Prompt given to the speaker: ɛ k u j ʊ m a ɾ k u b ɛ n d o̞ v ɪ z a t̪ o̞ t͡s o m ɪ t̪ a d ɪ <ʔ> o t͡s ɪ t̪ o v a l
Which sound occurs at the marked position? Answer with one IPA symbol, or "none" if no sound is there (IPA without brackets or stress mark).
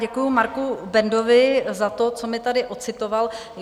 ʔ